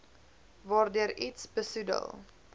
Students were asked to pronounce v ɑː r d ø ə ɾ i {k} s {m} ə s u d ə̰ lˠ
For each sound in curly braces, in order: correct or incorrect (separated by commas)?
incorrect, incorrect